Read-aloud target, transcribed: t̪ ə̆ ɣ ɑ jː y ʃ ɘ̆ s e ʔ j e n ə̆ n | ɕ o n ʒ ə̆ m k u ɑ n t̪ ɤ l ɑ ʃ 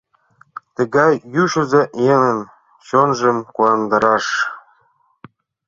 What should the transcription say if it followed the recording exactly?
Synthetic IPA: t̪ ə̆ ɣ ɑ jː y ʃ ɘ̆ z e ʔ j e n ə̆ n | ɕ o n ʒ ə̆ m k u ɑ n d̪ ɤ ɾ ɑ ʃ